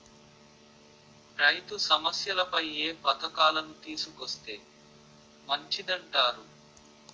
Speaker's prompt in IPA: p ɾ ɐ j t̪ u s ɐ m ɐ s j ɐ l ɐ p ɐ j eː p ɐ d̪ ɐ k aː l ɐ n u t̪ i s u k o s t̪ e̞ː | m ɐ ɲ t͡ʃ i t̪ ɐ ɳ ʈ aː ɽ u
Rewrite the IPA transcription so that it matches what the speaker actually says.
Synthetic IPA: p ɾ ɐ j t̪ u s ɐ m ɐ s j ɐ l ɐ p ɐ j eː p ɐ t̪ ɐ k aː l ɐ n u t̪ iː s u k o s t̪ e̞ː | m ɐ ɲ t͡ʃ i d̪ ɐ ɳ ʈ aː ɾ u